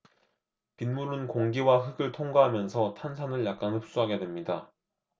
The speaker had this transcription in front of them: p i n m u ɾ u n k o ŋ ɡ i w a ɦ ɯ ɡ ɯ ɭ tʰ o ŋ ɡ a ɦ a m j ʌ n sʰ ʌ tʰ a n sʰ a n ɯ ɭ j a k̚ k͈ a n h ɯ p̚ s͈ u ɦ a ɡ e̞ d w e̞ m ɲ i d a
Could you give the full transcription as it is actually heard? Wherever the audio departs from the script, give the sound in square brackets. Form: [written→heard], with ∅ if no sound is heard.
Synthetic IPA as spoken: p i n m u ɾ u n k o ŋ ɡ i w a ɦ ɯ ɡ ɯ ɭ tʰ o ŋ ɡ a ɦ a m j ʌ n sʰ ʌ tʰ a n sʰ a n ɯ ɭ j a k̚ k͈ a n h ɯ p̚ s͈ u ɦ a ɡ e̞ d w e̞ m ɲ i d a